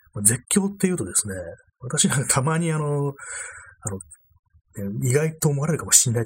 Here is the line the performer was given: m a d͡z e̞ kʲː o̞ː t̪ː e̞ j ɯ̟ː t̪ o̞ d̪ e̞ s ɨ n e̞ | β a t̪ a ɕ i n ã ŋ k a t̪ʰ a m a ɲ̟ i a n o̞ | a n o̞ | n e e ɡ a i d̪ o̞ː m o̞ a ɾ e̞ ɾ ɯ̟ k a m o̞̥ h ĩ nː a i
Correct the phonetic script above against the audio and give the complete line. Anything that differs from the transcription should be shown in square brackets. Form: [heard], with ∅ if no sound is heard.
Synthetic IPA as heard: m a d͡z e̞ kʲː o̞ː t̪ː e̞ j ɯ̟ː t̪ o̞ d̪ e̞ s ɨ n e̞ | β a t̪ a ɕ i n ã ŋ k a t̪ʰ a m a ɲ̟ i a n o̞ | a n o̞ | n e [i] ɡ a i [t̪] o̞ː m o̞ a ɾ e̞ ɾ ɯ̟ k a m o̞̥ [ɕ] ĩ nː a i